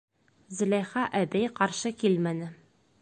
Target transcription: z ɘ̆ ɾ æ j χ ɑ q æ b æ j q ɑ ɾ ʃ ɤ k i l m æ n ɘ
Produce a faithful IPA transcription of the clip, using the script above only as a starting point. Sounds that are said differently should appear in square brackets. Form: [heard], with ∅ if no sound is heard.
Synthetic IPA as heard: z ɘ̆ [l] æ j χ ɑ [ʔ] æ b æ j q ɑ ɾ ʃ ɤ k i l m æ n ɘ